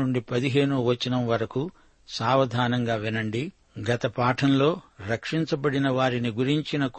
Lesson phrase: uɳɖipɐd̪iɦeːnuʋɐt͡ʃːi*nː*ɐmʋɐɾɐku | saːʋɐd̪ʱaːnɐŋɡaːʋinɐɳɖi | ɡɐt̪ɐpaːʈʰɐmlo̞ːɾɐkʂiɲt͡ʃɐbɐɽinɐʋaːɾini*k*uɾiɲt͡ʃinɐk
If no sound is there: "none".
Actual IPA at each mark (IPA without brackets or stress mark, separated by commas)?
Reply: n, ɡ